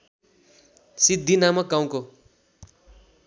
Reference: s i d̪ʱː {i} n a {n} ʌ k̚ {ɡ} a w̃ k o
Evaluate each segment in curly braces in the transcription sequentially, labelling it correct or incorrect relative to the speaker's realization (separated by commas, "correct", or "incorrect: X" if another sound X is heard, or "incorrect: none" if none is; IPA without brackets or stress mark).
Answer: correct, incorrect: m, correct